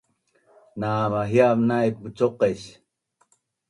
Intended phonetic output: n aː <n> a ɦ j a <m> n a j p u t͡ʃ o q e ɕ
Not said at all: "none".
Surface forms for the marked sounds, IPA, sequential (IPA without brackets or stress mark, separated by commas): m, m